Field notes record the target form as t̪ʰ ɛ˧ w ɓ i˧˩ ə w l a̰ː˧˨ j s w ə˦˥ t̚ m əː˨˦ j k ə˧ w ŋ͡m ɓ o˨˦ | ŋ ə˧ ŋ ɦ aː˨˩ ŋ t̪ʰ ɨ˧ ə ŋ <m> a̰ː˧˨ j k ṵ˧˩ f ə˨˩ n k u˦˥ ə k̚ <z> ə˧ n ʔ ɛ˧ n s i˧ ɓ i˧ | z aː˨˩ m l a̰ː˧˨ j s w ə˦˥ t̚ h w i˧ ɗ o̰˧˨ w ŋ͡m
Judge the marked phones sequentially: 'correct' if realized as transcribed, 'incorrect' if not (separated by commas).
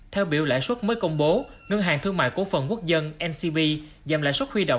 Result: correct, correct